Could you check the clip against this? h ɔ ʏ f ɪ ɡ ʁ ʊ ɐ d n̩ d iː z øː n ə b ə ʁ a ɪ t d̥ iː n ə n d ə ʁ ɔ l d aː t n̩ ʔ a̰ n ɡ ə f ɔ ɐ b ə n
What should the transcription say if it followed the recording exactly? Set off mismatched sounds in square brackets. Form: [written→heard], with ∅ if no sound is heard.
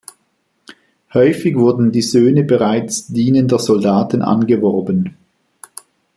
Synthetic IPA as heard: h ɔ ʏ f ɪ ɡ [ʁ→v] ʊ ɐ d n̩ d iː z øː n ə b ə ʁ a ɪ [t→t͡s] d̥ iː n ə n d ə [ʁ→z] ɔ l d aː t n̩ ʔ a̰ n ɡ ə [f→v] ɔ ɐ b ə n